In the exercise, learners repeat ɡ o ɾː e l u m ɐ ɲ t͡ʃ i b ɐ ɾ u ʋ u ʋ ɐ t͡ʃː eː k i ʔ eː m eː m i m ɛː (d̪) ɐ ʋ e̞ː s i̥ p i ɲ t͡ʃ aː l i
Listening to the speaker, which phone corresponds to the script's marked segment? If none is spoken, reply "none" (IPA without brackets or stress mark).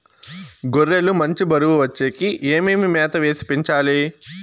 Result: t̪